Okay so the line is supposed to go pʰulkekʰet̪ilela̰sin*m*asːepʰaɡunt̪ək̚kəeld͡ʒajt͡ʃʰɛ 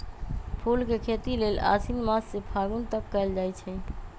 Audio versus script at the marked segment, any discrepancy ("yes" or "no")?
no